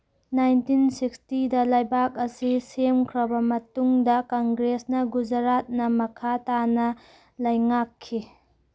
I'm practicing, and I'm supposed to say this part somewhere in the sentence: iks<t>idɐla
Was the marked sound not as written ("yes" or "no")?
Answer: no